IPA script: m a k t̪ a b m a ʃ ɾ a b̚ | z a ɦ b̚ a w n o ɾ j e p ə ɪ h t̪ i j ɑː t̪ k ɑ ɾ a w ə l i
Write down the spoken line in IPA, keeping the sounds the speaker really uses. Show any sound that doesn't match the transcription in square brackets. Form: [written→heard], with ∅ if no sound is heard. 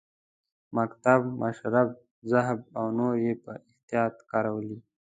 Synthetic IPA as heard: m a k t̪ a b m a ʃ ɾ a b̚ | z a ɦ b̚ a w n o ɾ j e p ə ɪ h t̪ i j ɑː t̪ k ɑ ɾ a w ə l i